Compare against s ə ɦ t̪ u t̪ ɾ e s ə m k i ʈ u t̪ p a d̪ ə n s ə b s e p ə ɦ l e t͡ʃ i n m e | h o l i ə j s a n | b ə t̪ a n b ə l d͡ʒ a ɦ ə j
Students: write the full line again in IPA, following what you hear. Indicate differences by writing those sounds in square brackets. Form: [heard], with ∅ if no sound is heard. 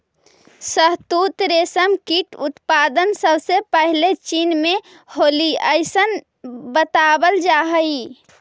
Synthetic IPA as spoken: s ə ɦ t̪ u t̪ ɾ e s ə m k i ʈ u t̪ p a d̪ ə n s ə b s e p ə ɦ l e t͡ʃ i n m e | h o l i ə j s [ə] n | b ə t̪ a [∅] b ə l d͡ʒ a ɦ ə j

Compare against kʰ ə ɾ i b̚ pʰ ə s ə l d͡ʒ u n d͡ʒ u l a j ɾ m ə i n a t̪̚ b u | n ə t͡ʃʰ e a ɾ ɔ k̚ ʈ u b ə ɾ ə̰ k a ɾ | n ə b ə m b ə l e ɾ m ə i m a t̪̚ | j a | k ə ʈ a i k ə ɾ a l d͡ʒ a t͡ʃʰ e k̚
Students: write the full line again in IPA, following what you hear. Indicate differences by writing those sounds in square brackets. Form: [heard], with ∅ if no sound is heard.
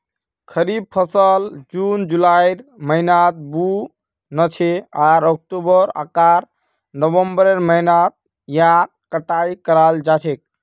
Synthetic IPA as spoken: kʰ ə ɾ i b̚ pʰ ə s ə l d͡ʒ u n d͡ʒ u l a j ɾ m ə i n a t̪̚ b u | n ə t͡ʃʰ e a ɾ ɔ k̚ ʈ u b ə ɾ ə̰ k a ɾ | n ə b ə m b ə [ɾ] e ɾ m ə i [n] a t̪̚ | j a | k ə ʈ a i k ə ɾ a l d͡ʒ a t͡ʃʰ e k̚

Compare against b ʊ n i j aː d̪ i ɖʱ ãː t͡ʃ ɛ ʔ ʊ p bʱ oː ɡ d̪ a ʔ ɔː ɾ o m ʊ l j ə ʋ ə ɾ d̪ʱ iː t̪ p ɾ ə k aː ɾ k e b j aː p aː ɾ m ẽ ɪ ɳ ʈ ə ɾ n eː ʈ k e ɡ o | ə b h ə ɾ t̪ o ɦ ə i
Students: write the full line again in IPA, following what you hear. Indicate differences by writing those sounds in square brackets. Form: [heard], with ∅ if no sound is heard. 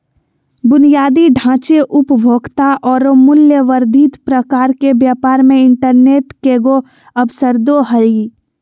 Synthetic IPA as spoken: b ʊ n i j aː d̪ i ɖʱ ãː t͡ʃ [e] ʔ ʊ p bʱ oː ɡ [t̪] a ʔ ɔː ɾ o m ʊ l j ə ʋ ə ɾ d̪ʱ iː t̪ p ɾ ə k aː ɾ k e b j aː p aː ɾ m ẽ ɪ ɳ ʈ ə ɾ n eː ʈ k e ɡ o | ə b [s] ə ɾ [d̪] o ɦ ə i

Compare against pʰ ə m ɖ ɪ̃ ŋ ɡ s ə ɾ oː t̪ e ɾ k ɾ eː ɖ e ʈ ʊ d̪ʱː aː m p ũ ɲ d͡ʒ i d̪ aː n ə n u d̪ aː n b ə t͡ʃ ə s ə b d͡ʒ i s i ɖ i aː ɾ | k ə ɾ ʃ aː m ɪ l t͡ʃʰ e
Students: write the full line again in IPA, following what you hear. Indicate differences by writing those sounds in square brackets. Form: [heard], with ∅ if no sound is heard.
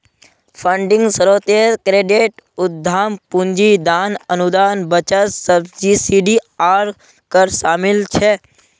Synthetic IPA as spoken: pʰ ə [ɳ] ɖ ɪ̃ ŋ ɡ s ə ɾ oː t̪ e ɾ k ɾ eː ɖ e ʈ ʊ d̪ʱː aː m p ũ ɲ d͡ʒ i d̪ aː n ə n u d̪ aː n b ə t͡ʃ ə s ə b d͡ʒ i s i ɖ i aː ɾ | k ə ɾ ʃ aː m ɪ l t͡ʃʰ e

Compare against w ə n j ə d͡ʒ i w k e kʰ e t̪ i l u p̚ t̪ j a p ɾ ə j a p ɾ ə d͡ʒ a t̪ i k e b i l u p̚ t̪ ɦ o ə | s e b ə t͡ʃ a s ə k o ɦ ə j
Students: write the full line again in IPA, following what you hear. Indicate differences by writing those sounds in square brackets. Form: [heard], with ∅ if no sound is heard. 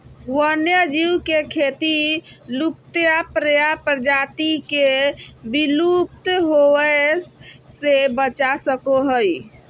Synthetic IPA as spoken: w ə n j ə d͡ʒ i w k e kʰ e t̪ i l u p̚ t̪ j a p ɾ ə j a p ɾ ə d͡ʒ a t̪ i k e b i l u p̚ t̪ ɦ o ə | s e b ə t͡ʃ a s ə k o ɦ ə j

